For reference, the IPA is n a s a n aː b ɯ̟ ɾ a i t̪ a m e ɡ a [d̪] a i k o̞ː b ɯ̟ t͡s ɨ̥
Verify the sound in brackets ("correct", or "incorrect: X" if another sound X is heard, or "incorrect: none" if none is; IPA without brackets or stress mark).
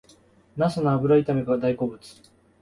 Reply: correct